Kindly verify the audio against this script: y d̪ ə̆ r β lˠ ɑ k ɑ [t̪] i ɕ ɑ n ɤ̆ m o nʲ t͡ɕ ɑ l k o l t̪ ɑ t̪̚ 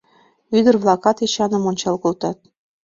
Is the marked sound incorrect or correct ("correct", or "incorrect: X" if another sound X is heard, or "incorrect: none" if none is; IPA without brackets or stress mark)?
correct